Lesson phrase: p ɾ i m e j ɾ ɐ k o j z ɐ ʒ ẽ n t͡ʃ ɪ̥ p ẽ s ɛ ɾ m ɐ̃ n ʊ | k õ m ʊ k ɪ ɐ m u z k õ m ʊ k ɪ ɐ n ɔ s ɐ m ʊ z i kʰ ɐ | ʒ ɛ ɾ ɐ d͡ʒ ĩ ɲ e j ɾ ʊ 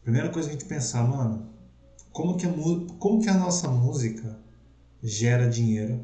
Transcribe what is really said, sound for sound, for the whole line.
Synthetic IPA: p ɾ i m e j ɾ ɐ k o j z ɐ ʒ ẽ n t͡ʃ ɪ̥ p ẽ s a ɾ m ɐ̃ n ʊ | k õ m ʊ k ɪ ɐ m u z k õ m ʊ k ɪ ɐ n ɔ s ɐ m u z i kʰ ɐ | ʒ ɛ ɾ ɐ d͡ʒ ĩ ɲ e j ɾ ʊ